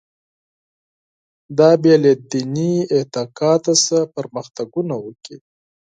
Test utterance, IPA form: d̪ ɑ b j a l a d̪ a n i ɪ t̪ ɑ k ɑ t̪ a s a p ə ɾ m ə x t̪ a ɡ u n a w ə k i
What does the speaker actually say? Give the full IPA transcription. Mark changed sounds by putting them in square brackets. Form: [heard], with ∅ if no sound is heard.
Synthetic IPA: d̪ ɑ b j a l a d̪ [i] n i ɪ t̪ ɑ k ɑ t̪ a s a p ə ɾ m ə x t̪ a ɡ u n a w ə k i